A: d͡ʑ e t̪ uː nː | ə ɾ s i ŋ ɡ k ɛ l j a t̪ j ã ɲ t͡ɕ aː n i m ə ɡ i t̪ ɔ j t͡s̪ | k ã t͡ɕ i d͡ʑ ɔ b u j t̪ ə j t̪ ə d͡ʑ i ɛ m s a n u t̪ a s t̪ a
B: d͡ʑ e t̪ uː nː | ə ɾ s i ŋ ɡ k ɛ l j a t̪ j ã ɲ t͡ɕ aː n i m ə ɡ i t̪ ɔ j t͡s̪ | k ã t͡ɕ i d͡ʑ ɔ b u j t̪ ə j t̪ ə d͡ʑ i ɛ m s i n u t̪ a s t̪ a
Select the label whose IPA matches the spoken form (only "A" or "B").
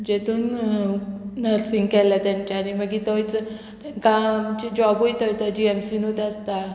B